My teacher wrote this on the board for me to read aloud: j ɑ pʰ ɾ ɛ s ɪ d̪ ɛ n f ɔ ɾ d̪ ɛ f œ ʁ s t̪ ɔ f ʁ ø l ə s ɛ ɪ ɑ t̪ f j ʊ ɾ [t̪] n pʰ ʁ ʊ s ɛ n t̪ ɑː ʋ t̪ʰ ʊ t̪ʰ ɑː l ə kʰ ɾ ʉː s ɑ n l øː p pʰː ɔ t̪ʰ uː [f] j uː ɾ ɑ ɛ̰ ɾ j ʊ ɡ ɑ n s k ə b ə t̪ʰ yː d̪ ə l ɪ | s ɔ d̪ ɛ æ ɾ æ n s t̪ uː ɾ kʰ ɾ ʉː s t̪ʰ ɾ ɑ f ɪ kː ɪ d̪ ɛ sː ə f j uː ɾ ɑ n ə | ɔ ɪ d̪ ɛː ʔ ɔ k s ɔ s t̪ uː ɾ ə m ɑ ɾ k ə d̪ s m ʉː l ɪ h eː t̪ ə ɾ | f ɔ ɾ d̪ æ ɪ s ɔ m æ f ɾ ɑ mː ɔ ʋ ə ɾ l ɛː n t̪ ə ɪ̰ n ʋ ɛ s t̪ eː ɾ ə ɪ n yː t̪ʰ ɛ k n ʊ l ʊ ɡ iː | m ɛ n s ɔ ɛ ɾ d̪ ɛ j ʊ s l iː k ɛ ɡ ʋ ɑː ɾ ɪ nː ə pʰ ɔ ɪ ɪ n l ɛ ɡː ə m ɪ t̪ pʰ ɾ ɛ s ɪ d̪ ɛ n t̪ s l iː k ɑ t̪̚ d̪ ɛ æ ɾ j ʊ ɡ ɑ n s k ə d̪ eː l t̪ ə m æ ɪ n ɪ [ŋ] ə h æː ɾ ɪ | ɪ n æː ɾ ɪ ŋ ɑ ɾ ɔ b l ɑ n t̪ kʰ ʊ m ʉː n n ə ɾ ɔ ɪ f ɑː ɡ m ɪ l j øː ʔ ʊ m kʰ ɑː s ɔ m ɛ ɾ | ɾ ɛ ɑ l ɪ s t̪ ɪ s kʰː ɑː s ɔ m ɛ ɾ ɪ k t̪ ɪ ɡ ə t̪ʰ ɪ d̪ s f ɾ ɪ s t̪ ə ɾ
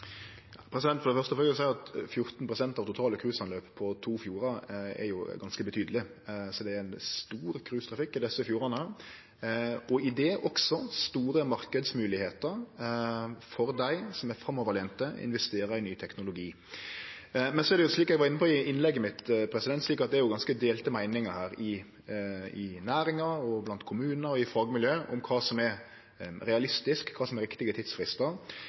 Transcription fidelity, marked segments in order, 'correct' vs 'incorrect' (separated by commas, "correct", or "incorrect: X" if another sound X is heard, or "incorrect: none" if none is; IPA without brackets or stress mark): correct, correct, correct